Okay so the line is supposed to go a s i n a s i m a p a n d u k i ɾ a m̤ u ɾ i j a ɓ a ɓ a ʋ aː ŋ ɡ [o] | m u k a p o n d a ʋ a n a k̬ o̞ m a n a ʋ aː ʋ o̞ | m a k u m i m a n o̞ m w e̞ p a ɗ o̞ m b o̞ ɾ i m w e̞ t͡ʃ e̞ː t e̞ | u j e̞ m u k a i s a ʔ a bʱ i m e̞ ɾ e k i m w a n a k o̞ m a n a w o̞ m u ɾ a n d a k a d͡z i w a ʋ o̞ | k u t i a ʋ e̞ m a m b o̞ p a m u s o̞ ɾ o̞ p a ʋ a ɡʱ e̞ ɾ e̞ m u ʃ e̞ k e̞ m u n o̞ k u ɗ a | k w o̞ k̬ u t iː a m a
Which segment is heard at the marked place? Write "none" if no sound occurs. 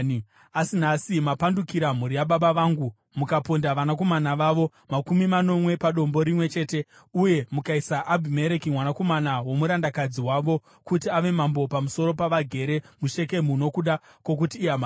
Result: u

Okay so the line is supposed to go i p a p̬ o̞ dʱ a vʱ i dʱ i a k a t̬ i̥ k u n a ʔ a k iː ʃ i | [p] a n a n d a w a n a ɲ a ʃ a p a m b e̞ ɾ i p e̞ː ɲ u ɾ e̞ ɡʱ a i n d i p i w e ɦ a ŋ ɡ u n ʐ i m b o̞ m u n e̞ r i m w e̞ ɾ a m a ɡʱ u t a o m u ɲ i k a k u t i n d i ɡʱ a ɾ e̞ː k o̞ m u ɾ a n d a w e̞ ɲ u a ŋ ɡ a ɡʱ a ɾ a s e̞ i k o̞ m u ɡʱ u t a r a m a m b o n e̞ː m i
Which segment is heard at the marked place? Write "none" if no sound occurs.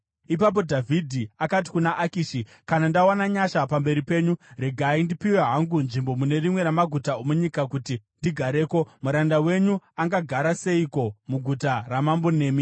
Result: k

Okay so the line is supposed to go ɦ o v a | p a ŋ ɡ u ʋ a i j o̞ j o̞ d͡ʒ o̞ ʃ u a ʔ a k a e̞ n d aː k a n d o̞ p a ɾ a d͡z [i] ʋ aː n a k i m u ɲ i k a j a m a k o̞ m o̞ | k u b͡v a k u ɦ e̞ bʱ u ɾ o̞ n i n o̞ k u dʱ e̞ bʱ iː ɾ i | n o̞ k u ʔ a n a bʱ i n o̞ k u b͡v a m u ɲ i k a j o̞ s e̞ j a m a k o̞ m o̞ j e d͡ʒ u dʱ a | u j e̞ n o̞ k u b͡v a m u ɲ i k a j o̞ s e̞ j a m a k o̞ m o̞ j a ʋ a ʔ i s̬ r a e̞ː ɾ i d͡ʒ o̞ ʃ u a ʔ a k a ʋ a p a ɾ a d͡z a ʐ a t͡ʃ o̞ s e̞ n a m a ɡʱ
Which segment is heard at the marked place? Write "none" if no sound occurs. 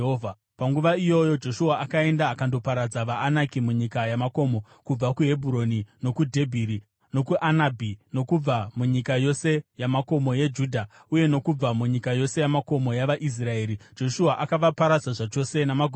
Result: a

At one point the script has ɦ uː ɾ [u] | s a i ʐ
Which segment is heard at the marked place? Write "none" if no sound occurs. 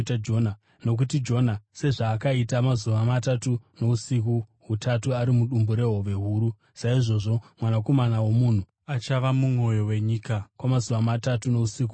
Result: u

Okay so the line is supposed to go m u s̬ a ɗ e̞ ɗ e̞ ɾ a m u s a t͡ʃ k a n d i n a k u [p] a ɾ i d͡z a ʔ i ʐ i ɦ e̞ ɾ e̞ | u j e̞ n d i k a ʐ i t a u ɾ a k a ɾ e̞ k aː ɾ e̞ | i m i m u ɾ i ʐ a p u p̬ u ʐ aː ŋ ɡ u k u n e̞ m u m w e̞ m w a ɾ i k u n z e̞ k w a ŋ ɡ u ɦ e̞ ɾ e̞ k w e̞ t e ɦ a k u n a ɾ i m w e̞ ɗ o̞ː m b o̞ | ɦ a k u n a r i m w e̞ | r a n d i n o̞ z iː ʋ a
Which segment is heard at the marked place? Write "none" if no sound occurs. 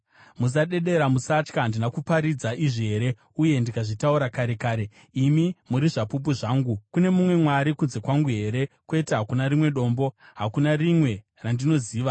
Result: p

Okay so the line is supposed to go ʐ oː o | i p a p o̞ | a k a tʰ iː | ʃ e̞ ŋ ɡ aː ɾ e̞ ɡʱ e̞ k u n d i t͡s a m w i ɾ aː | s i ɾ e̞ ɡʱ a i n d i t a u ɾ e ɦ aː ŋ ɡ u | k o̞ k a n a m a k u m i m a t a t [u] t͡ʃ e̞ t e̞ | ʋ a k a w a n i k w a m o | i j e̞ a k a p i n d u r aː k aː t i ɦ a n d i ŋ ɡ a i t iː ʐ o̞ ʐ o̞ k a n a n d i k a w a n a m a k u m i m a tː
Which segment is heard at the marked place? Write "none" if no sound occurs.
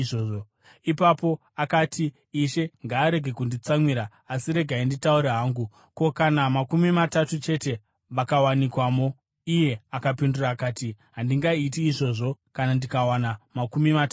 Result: u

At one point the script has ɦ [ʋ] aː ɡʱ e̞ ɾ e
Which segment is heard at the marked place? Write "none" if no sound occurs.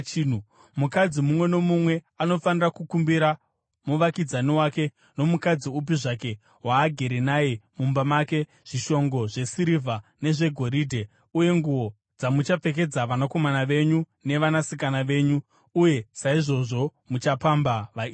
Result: w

